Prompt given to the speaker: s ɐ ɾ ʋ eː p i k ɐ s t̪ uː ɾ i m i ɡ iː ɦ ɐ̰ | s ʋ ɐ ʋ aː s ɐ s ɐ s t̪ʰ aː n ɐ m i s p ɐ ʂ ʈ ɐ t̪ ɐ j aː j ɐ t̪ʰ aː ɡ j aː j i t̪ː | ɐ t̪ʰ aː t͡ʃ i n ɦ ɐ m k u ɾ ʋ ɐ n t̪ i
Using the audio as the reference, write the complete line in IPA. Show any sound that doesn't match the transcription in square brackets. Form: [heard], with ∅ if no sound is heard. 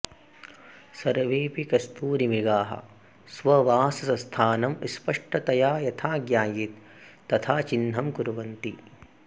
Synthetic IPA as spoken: s ɐ ɾ ʋ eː p i k ɐ s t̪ uː ɾ i m i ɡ [aː] ɦ ɐ̰ | s ʋ ɐ ʋ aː s ɐ s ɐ s t̪ʰ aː n ɐ m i s p ɐ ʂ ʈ ɐ t̪ ɐ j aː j ɐ t̪ʰ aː ɡ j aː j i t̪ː | ɐ t̪ʰ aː t͡ʃ i n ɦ ɐ m k u ɾ ʋ ɐ n t̪ i